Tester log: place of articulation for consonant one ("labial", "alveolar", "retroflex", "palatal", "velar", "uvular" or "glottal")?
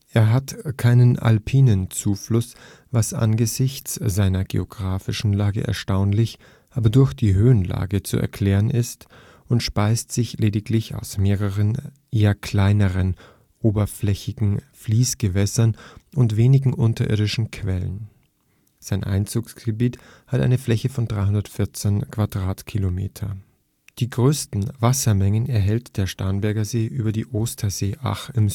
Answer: glottal